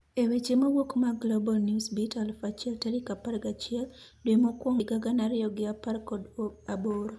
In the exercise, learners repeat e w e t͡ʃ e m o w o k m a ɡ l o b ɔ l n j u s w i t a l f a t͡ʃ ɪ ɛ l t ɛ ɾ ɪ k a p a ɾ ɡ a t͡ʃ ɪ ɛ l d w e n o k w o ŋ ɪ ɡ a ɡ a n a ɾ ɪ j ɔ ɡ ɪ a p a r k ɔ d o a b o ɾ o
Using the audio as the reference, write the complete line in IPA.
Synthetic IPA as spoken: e w e t͡ʃ e m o w o k m a ɡ l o b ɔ l n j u s b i t a l f a t͡ʃ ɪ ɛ l t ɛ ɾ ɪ k a p a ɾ ɡ a t͡ʃ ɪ ɛ l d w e m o k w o ŋ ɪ ɡ a ɡ a n a ɾ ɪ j ɔ ɡ ɪ a p a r k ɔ d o a b o ɾ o